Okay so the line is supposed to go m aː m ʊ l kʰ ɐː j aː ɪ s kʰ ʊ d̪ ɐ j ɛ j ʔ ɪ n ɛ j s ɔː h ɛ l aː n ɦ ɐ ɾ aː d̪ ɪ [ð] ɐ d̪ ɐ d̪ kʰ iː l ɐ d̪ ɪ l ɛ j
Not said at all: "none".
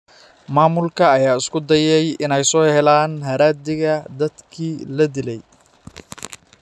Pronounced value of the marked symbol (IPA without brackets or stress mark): ɣ